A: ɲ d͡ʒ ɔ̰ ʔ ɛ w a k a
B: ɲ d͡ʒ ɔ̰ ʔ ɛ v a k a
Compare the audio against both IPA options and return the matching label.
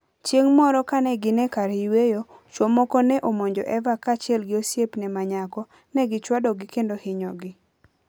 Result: B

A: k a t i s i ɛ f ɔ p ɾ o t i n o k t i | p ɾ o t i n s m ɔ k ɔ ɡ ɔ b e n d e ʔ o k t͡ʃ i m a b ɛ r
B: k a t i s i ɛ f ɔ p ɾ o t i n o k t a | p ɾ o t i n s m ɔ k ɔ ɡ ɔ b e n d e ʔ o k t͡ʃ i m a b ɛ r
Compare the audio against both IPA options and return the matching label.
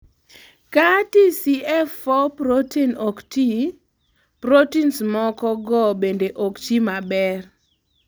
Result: A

